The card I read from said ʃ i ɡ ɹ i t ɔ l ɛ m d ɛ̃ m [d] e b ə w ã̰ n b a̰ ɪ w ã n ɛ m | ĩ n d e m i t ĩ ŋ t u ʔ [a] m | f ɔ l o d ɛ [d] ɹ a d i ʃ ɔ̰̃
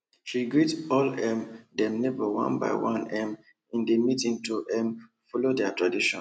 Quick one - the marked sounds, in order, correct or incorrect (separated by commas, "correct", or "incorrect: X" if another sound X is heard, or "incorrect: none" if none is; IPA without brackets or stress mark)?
incorrect: n, incorrect: ɛ, incorrect: t